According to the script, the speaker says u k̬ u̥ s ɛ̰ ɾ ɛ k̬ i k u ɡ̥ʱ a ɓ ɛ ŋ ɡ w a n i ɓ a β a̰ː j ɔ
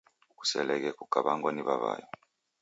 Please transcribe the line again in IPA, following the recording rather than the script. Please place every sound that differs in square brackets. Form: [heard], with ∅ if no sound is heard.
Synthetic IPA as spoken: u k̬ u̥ s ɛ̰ [l] ɛ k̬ [ɛ] k u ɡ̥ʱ a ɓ [a] ŋ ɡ w a n i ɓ a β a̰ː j ɔ